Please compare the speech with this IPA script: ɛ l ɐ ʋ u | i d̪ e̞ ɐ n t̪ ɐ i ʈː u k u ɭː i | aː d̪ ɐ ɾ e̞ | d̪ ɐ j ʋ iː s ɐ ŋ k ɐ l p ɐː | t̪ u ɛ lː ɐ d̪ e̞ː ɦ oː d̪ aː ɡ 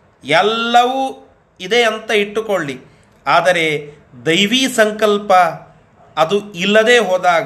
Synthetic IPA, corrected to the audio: ɛ lː ɐ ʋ u | i d̪ e̞ ɐ n t̪ ɐ i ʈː u k o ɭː i | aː d̪ ɐ ɾ e̞ | d̪ ɐ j ʋ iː s ɐ ŋ k ɐ l p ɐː | d̪ u i lː ɐ d̪ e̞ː ɦ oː d̪ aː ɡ